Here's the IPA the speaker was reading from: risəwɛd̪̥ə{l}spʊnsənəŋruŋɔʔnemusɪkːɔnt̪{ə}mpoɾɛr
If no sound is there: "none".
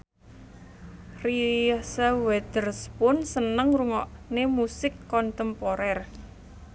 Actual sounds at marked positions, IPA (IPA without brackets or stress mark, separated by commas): r, ə